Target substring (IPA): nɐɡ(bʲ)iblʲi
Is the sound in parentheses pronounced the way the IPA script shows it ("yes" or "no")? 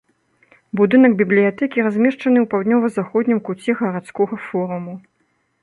yes